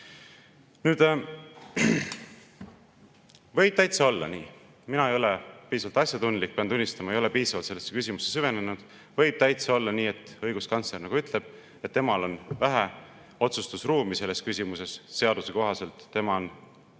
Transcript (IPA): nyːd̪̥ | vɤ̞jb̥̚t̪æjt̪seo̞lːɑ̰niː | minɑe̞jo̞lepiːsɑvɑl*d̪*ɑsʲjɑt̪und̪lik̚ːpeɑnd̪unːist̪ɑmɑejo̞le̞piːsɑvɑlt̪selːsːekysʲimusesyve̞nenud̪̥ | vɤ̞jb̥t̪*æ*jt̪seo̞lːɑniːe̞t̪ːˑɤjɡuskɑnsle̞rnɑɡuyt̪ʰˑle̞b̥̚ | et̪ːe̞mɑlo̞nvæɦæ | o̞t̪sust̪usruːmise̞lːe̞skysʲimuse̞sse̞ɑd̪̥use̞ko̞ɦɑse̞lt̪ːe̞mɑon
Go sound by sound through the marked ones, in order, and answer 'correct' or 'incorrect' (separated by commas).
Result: incorrect, correct